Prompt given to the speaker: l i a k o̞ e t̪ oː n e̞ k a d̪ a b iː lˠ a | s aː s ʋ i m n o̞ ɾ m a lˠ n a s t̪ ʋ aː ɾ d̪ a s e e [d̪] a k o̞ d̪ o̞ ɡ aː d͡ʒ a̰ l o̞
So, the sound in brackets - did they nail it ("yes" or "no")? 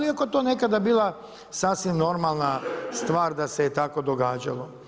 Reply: no